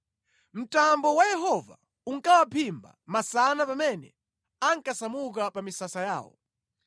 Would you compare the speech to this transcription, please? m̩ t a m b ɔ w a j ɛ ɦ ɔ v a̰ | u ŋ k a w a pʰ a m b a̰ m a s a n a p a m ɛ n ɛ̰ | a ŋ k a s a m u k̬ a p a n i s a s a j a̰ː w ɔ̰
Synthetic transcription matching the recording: m̩ t a m b ɔ w a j ɛ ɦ ɔ v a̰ | u ŋ k a w a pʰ i m b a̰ m a s a n a p a m ɛ n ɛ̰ | a ŋ k a s a m u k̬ a p a m i s a s a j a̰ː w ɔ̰